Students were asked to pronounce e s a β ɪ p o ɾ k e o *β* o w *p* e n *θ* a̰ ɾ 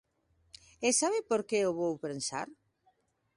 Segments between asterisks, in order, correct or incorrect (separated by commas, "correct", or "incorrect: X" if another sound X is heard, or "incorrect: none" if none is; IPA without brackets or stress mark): correct, correct, incorrect: s